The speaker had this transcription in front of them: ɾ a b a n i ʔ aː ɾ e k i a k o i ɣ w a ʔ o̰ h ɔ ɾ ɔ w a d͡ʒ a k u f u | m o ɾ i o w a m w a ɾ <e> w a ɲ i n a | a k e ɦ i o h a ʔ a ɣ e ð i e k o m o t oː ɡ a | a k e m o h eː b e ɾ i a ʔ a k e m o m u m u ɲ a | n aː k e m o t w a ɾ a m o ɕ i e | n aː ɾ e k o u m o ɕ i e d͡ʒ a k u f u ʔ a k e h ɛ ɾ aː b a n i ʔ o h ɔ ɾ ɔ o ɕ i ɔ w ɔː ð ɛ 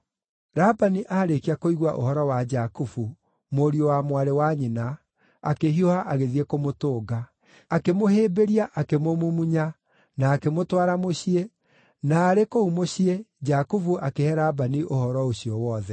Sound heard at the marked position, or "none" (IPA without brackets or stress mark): e